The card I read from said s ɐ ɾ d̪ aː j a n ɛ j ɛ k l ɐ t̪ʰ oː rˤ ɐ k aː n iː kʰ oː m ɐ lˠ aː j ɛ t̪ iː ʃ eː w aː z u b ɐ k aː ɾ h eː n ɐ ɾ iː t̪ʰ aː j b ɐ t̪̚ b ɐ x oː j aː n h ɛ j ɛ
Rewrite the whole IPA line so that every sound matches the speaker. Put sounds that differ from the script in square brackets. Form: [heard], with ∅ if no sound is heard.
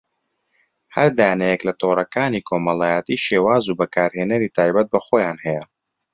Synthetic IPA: [h] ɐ ɾ d̪ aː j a n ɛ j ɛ k l ɐ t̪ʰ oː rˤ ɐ k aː n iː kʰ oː m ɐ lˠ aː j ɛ t̪ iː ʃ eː w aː z u b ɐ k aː ɾ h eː n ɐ ɾ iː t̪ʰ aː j b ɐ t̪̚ b ɐ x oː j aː n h ɛ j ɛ